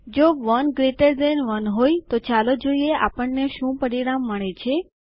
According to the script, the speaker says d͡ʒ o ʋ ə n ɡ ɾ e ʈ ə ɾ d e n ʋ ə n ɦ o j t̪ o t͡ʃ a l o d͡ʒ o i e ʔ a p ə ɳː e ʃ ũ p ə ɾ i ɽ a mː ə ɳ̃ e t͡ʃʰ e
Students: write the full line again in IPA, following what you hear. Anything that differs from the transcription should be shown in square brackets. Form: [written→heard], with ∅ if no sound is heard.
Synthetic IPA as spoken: d͡ʒ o ʋ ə n ɡ ɾ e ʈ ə ɾ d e n ʋ ə n ɦ o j t̪ o t͡ʃ a l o d͡ʒ o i e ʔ a p ə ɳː e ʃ ũ p ə ɾ i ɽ a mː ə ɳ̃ e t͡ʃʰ e